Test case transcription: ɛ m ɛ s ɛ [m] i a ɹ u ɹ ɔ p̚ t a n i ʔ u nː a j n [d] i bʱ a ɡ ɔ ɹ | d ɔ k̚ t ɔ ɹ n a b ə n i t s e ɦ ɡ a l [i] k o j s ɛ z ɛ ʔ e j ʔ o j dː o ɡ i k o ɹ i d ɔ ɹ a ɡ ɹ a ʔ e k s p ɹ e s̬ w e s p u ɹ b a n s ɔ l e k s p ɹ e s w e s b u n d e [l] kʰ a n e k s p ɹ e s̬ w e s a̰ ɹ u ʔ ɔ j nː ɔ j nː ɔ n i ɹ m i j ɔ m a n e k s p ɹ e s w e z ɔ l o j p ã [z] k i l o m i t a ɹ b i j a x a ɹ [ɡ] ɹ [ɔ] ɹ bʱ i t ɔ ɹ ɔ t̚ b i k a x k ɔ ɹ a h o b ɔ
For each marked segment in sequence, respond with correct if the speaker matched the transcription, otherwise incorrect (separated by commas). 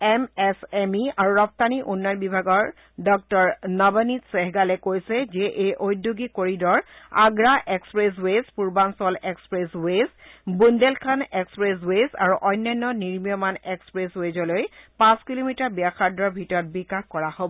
correct, incorrect, incorrect, correct, incorrect, incorrect, correct